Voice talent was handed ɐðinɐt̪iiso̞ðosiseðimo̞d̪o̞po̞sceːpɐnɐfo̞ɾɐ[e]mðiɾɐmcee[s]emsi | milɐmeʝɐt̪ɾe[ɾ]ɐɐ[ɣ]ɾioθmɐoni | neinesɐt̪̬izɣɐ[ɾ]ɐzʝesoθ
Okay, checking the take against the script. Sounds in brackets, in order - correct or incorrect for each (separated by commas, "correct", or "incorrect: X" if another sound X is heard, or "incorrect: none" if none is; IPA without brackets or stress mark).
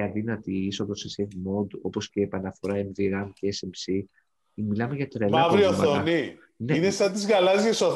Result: correct, correct, incorrect: l, incorrect: v, incorrect: l